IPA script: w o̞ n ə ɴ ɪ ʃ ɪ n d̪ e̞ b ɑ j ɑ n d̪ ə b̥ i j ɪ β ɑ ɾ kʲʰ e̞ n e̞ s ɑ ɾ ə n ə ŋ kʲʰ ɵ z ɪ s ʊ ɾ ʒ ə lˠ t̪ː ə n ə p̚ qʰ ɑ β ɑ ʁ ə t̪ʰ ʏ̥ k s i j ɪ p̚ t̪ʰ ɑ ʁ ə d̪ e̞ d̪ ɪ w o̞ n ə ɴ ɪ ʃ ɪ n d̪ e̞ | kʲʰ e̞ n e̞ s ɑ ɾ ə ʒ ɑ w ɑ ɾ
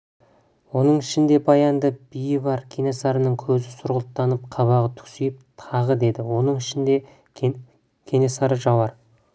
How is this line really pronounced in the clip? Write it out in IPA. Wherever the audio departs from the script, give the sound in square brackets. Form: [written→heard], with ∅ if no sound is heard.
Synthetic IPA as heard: w o̞ n ə ɴ ɪ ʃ ɪ n d̪ e̞ b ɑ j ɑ n d̪ ə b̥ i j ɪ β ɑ ɾ kʲʰ e̞ n e̞ s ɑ ɾ ə n ə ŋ kʲʰ ɵ z ɪ s ʊ ɾ [ʒ→ʁ] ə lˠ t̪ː [ə→ɑ] n ə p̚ qʰ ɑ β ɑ ʁ ə t̪ʰ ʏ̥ k s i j ɪ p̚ t̪ʰ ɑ ʁ ə d̪ e̞ d̪ ɪ w o̞ n ə ɴ ɪ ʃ ɪ n d̪ e̞ | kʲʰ e̞ n e̞ s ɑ ɾ ə ʒ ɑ w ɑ ɾ